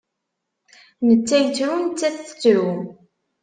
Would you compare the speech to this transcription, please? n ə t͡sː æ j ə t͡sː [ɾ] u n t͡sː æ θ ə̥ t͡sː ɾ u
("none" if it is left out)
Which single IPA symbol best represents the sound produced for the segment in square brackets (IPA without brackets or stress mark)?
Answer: ɾ